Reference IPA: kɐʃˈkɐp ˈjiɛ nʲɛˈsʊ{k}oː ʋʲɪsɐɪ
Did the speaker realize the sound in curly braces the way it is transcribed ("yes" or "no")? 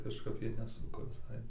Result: yes